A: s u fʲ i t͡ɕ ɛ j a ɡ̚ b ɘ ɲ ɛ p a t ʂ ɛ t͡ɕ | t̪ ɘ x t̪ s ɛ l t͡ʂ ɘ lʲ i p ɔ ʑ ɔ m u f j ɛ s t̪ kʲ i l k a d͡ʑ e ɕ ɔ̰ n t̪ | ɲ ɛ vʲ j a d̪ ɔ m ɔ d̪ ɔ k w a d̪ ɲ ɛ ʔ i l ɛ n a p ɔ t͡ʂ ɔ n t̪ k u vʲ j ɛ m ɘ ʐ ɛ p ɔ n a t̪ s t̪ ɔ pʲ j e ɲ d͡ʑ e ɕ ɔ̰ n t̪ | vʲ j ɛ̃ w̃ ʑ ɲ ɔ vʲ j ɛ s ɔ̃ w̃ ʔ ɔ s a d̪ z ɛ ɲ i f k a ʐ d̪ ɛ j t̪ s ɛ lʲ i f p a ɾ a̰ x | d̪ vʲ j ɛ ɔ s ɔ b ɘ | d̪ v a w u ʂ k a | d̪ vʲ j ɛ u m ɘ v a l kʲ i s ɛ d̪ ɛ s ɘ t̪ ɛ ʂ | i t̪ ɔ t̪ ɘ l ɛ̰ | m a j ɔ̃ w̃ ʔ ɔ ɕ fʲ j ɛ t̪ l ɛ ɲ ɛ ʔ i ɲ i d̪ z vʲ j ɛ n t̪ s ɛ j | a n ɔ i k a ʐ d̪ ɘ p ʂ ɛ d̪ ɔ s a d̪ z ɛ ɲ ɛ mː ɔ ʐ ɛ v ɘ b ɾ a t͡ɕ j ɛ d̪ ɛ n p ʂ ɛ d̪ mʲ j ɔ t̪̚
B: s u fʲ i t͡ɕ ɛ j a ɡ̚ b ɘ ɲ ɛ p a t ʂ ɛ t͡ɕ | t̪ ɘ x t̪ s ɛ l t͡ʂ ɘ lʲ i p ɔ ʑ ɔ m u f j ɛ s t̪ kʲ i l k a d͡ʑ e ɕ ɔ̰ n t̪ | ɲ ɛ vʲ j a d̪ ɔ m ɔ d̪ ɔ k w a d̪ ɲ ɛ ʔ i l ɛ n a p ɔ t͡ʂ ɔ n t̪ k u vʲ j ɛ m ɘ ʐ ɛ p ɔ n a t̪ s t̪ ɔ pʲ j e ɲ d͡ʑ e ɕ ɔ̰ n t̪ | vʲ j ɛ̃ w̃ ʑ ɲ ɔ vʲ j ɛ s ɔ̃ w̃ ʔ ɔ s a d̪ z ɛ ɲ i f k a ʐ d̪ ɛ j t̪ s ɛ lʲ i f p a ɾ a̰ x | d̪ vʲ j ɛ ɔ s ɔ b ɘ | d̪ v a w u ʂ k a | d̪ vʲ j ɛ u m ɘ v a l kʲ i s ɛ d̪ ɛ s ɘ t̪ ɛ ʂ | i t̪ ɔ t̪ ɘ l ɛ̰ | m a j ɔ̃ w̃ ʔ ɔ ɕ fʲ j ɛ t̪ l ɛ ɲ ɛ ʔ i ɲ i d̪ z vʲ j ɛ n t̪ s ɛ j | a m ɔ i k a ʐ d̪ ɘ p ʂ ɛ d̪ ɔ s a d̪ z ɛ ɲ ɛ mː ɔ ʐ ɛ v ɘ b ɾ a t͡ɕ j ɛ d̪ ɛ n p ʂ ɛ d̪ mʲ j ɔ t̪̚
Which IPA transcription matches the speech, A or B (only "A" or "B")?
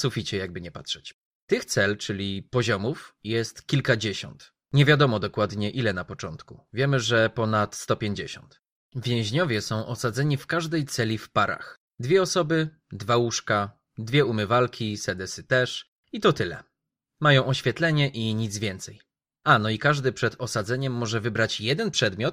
A